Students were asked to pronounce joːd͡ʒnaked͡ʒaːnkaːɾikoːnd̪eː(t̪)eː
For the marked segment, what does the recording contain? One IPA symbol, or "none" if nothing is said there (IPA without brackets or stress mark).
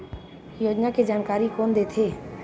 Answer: t̪ʰ